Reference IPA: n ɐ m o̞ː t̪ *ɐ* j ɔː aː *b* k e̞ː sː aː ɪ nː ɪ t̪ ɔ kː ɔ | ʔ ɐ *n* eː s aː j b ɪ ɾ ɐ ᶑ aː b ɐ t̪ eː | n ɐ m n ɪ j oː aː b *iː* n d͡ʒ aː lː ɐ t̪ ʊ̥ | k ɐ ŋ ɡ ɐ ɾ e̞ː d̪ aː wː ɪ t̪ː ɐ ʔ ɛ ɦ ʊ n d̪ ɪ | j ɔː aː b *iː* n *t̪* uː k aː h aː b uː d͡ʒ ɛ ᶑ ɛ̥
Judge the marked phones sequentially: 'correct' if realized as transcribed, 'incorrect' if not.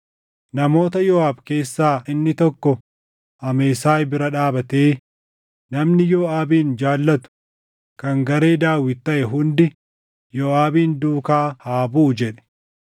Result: correct, correct, incorrect, correct, correct, incorrect

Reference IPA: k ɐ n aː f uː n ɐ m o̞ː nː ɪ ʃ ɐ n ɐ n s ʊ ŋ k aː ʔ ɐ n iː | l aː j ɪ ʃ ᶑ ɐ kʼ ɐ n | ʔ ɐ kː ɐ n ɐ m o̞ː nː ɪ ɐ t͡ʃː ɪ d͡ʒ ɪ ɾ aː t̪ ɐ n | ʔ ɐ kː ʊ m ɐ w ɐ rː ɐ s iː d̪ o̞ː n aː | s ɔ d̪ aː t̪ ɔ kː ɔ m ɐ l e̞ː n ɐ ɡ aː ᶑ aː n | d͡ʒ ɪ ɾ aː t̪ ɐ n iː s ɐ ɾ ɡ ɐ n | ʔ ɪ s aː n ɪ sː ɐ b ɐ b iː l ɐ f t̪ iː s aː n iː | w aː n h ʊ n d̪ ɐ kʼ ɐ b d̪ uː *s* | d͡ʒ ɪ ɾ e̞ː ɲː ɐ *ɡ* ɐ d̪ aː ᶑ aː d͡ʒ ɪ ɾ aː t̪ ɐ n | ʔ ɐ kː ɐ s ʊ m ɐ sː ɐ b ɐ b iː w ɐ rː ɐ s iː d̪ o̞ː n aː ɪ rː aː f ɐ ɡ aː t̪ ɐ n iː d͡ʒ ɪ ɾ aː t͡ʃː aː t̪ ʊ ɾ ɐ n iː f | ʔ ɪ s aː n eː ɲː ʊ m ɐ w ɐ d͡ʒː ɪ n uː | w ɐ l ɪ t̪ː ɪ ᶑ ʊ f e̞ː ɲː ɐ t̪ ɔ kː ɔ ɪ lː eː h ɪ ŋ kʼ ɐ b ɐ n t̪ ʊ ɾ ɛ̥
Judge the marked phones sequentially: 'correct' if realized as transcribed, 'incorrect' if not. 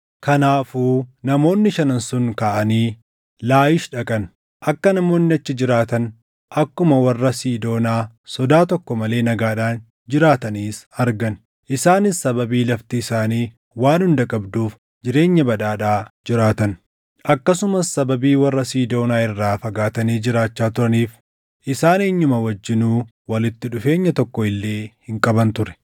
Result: incorrect, incorrect

